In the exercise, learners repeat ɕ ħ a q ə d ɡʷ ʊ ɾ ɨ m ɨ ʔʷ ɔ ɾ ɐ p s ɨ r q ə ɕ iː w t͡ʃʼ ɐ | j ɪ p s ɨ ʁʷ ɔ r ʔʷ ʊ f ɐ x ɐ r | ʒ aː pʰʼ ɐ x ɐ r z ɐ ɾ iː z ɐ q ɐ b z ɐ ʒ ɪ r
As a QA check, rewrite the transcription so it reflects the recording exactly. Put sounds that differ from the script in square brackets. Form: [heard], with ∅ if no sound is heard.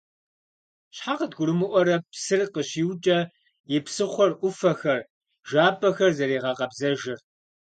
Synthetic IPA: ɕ ħ a q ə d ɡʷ ʊ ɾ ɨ m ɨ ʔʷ ɔ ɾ ɐ p s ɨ r q ə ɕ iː w t͡ʃʼ ɐ | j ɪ p s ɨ [χʷ] ɔ r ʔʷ ʊ f ɐ x ɐ r | ʒ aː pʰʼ ɐ x ɐ r z ɐ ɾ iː [ʁ] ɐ q ɐ b z ɐ ʒ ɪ r

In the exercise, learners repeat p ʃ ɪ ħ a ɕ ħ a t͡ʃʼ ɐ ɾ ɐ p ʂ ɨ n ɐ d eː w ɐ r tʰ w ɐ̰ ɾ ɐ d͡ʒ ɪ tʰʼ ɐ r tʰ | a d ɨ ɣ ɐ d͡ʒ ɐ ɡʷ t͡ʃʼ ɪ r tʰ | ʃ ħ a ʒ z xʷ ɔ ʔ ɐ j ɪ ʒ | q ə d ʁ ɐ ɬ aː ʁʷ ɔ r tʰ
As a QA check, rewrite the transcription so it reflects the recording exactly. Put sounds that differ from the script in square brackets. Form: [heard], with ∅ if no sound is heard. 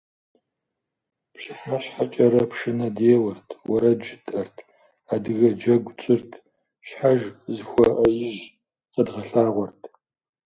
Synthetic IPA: p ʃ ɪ ħ a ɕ ħ a t͡ʃʼ ɐ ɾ ɐ p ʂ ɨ n ɐ d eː w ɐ r tʰ w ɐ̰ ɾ ɐ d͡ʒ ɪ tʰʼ ɐ r tʰ | a d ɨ ɣ ɐ d͡ʒ ɐ ɡʷ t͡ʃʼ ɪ r tʰ | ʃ ħ a ʒ z xʷ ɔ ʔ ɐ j ɪ ʒ | q ə d ʁ ɐ ɬ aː ʁʷ ɔ r tʰ

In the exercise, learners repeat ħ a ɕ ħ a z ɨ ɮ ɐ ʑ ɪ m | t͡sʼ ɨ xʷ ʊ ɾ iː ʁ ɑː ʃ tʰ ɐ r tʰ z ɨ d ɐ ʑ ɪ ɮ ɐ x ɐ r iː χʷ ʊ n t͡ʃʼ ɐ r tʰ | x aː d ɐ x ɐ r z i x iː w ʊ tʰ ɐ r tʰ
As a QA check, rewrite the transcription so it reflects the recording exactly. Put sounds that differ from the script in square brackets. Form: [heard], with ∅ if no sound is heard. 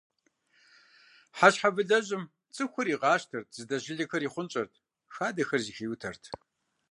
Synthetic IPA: ħ a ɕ ħ a [v] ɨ ɮ ɐ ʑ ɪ m | t͡sʼ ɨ xʷ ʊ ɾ iː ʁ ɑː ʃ tʰ ɐ r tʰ z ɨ d ɐ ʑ ɪ ɮ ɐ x ɐ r iː χʷ ʊ n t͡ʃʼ ɐ r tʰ | x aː d ɐ x ɐ r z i x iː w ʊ tʰ ɐ r tʰ

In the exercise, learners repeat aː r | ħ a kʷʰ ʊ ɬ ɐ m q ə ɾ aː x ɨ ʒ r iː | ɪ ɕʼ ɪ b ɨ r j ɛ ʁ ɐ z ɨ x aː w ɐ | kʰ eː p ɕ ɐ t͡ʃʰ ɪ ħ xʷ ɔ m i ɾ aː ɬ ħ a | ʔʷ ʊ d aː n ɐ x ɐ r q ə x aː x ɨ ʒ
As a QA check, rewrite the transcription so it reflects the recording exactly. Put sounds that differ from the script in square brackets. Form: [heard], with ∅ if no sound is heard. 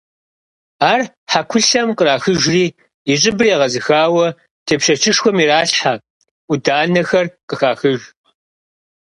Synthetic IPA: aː r | ħ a kʷʰ ʊ ɬ ɐ m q ə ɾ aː x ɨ ʒ r iː | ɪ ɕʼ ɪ b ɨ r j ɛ ʁ ɐ z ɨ x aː w ɐ | [tʰ] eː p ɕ ɐ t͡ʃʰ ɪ [ʂ] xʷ ɔ m i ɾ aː ɬ ħ a | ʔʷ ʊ d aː n ɐ x ɐ r q ə x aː x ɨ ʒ

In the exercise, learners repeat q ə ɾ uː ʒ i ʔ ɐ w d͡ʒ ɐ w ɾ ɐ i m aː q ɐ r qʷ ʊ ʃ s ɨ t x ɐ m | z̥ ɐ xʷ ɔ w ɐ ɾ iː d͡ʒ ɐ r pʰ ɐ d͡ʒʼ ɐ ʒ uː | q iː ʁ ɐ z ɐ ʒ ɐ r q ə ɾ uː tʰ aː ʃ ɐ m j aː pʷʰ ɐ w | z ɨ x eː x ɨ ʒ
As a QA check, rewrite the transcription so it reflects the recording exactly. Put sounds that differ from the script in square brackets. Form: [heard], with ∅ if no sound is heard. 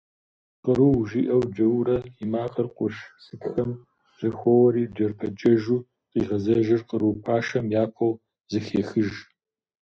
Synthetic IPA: q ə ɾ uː ʒ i ʔ ɐ w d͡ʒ ɐ w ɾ ɐ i m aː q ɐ r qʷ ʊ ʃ s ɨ t x ɐ m | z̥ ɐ xʷ ɔ w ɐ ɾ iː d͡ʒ ɐ r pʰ ɐ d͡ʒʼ ɐ ʒ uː | q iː ʁ ɐ z ɐ ʒ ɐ r q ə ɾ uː [pʰ] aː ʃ ɐ m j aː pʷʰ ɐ w | z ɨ x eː x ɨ ʒ

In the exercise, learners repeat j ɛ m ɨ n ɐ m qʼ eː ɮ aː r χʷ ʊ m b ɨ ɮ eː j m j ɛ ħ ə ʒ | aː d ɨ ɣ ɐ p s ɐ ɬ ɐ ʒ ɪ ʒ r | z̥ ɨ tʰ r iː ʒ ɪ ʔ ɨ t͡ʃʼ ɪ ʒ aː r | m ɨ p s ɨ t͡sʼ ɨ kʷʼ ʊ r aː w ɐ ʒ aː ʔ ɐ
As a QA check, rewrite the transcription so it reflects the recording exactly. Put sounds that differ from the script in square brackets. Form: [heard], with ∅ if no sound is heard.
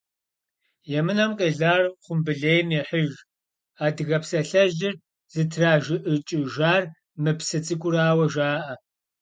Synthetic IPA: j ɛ m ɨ n ɐ m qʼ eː ɮ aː r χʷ ʊ m b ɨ ɮ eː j m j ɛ ħ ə ʒ | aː d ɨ ɣ ɐ p s ɐ ɬ ɐ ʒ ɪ [∅] r | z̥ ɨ tʰ r [aː] ʒ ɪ ʔ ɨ t͡ʃʼ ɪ ʒ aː r | m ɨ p s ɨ t͡sʼ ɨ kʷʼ ʊ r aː w ɐ ʒ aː ʔ ɐ

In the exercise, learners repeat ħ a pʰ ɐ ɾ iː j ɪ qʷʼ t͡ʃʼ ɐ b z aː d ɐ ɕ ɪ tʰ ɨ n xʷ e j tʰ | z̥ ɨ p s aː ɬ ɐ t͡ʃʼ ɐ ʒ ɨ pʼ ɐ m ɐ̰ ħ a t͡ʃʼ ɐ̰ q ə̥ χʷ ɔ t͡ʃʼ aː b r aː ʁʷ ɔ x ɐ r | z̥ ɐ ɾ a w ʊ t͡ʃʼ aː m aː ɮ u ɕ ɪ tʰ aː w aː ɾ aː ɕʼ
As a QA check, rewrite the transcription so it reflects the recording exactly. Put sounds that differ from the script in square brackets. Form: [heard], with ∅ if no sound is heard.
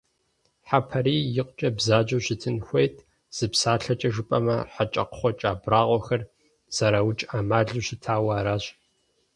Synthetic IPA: ħ a pʰ ɐ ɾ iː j ɪ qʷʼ t͡ʃʼ ɐ b z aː [d͡ʒ] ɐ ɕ ɪ tʰ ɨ n xʷ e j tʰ | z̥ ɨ p s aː ɬ ɐ t͡ʃʼ ɐ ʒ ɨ pʼ ɐ m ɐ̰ ħ a t͡ʃʼ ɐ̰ q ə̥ χʷ ɔ t͡ʃʼ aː b r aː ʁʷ ɔ x ɐ r | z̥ ɐ ɾ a w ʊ t͡ʃʼ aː m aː ɮ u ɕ ɪ tʰ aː w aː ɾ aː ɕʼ

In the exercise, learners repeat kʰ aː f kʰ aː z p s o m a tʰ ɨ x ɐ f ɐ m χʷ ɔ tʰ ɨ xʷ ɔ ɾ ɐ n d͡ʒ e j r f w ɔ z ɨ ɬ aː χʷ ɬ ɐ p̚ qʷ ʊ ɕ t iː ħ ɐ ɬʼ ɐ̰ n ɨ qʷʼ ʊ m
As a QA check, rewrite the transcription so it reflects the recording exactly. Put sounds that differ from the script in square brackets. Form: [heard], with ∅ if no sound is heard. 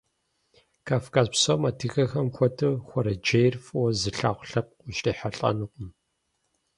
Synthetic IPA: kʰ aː f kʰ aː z p s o m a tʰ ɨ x ɐ [x] ɐ m [xʷ] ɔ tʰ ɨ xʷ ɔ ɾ ɐ [∅] d͡ʒ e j r f w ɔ z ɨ ɬ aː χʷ ɬ ɐ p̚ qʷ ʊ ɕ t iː ħ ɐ ɬʼ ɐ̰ n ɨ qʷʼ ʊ m

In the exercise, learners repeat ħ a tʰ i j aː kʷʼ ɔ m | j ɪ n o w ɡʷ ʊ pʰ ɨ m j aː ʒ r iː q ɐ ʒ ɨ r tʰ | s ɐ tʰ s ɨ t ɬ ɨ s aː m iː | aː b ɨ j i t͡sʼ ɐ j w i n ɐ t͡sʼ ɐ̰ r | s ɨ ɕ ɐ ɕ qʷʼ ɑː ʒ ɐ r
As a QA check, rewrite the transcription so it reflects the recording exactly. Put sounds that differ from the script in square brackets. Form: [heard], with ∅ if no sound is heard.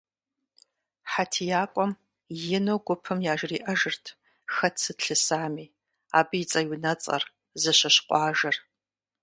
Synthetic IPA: ħ a tʰ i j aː kʷʼ ɔ m | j ɪ n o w ɡʷ ʊ pʰ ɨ m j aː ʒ r iː [ʔ] ɐ ʒ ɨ r tʰ | [x] ɐ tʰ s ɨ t ɬ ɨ s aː m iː | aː b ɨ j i t͡sʼ ɐ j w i n ɐ t͡sʼ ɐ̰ r | [z] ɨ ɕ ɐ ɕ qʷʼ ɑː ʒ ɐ r

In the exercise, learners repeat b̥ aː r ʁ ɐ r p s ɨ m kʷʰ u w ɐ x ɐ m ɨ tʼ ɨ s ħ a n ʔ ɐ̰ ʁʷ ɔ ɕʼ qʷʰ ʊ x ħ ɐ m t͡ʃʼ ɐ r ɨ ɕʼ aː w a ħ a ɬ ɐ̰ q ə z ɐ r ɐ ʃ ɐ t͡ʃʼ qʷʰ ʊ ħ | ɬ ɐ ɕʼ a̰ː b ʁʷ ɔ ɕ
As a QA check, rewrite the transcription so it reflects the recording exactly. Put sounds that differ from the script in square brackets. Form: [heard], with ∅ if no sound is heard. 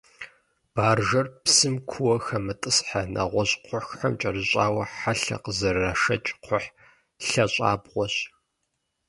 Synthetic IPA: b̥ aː r [ʒ] ɐ r p s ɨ m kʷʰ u w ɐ x ɐ m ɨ tʼ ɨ s ħ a n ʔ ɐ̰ ʁʷ ɔ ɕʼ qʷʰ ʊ x ħ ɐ m t͡ʃʼ ɐ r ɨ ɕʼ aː w [ɐ] ħ a ɬ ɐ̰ q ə z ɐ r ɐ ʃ ɐ t͡ʃʼ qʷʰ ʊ ħ | ɬ ɐ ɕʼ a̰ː b ʁʷ ɔ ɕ

